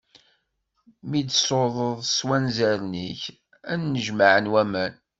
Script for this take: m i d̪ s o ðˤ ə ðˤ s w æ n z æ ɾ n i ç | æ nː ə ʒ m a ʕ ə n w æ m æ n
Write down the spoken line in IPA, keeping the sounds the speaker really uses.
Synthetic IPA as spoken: m i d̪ s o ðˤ ə ðˤ s w æ n z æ ɾ n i ç | æ nː ə ʒ m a ʕ ə n w æ m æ n